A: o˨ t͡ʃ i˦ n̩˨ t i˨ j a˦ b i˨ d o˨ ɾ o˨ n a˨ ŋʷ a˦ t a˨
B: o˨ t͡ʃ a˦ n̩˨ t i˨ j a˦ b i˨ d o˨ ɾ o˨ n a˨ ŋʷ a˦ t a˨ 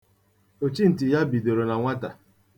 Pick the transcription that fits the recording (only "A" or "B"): A